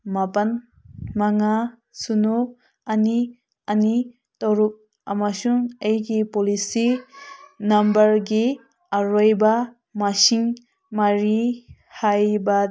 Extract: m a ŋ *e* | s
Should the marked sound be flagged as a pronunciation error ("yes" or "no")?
yes